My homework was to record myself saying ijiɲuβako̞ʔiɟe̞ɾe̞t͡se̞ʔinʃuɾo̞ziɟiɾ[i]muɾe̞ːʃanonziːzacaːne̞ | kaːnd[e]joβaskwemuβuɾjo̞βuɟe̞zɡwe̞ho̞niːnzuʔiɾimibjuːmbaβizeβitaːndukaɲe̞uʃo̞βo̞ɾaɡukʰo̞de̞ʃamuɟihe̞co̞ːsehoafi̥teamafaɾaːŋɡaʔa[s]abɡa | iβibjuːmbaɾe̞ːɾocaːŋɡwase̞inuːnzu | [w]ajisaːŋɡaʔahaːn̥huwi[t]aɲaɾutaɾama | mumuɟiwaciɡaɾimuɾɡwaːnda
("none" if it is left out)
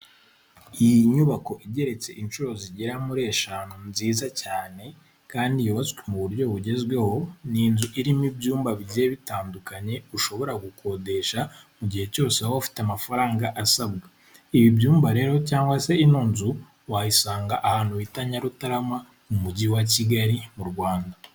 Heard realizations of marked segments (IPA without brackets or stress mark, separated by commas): a, i, s, w, t